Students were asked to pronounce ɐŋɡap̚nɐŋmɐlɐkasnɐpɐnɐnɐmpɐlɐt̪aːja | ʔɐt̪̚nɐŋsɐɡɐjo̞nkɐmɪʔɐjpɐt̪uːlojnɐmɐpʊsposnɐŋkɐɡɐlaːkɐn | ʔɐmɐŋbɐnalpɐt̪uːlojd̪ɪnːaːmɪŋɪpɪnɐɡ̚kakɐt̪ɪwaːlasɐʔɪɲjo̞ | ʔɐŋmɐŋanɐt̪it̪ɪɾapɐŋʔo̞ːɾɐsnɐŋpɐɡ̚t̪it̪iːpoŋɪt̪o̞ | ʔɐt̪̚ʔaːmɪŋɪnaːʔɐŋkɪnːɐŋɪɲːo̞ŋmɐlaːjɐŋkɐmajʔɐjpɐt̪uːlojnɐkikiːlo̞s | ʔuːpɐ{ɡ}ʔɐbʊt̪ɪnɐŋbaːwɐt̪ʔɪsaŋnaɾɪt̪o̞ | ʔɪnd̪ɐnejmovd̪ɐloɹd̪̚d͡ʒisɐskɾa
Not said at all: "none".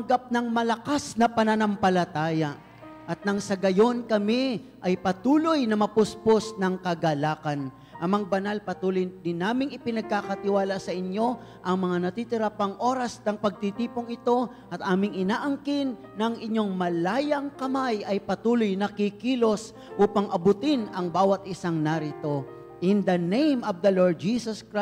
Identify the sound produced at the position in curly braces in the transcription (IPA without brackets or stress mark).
ŋ